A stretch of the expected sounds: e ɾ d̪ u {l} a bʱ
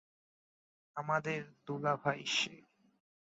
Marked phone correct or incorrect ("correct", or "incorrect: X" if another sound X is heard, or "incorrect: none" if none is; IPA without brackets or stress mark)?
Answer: correct